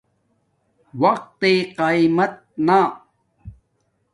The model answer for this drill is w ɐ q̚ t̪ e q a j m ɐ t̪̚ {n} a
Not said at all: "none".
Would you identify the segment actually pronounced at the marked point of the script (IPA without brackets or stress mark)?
n